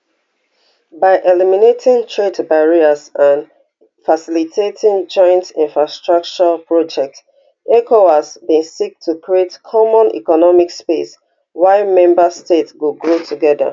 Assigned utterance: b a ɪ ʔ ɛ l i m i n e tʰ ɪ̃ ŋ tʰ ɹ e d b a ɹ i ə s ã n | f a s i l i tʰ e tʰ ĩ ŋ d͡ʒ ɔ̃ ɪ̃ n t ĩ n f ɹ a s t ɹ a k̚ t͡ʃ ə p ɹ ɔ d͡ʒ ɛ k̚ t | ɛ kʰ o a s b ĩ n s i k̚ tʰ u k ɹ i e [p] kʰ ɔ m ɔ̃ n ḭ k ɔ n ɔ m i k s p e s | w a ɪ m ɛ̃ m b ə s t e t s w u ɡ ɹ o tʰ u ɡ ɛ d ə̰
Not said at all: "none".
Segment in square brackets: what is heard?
t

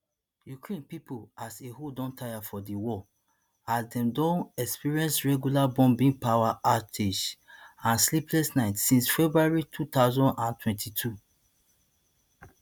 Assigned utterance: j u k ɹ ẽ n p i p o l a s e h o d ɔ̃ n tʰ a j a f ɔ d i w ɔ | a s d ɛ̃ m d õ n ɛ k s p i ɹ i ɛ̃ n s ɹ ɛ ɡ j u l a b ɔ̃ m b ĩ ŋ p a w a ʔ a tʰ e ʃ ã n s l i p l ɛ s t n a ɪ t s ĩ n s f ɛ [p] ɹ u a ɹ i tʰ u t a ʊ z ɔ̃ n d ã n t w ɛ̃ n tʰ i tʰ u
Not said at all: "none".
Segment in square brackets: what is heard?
b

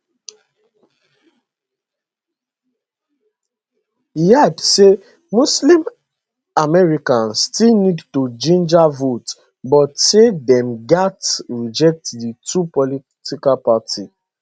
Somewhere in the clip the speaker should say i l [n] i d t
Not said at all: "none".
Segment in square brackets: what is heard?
n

